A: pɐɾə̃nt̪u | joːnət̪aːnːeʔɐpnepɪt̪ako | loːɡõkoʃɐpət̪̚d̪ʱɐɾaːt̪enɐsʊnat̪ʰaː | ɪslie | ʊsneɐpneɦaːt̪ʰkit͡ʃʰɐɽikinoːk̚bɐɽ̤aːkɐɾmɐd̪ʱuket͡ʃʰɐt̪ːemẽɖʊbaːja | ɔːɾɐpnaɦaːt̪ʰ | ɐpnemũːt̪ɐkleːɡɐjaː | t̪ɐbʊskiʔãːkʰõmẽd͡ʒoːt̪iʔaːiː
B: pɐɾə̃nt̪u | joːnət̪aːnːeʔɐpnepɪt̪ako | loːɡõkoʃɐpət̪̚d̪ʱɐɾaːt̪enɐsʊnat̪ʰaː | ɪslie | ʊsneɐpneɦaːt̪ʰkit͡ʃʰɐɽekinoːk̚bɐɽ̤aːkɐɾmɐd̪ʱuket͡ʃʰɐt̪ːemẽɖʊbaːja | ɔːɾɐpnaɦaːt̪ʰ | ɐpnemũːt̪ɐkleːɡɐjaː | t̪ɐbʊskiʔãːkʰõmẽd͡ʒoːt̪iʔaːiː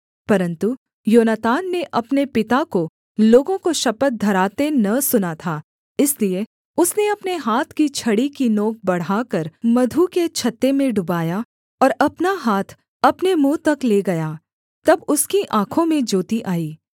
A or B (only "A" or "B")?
A